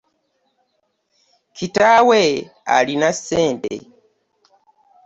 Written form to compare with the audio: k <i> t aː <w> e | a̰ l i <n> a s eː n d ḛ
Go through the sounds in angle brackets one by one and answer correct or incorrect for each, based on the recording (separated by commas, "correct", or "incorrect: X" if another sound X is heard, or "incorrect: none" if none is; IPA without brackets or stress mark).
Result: correct, correct, correct